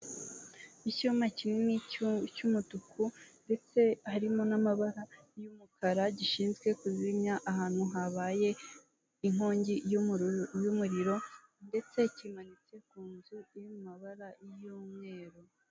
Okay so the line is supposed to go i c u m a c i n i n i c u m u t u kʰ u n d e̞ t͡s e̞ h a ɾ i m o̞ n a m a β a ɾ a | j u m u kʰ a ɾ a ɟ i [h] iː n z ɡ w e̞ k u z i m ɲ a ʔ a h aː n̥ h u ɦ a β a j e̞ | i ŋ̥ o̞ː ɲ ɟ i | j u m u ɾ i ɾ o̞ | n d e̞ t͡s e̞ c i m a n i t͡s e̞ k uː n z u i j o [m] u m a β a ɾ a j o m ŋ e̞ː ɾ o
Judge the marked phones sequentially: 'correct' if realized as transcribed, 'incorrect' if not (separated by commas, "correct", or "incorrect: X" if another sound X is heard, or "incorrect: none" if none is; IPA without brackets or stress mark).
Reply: incorrect: ʃ, correct